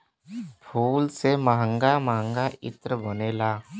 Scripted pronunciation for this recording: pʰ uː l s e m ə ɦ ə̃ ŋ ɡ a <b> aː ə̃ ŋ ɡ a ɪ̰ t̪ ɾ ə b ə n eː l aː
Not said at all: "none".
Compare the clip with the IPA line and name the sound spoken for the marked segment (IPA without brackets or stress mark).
m